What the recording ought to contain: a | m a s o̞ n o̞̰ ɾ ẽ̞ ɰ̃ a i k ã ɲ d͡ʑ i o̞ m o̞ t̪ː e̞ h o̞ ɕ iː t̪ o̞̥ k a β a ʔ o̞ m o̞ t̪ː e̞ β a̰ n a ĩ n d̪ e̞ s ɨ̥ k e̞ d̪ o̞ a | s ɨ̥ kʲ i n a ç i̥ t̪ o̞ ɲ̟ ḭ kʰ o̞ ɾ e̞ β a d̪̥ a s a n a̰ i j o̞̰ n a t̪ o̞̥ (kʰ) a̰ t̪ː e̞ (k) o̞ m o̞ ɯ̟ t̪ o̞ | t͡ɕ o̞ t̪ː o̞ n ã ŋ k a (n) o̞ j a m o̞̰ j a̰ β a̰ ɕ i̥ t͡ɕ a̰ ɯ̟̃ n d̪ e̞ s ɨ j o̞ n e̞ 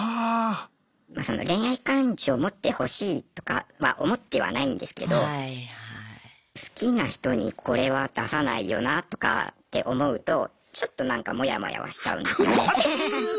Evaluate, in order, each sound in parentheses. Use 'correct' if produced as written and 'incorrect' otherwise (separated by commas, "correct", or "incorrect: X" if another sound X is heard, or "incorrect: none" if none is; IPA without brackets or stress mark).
incorrect: k, incorrect: ʔ, incorrect: m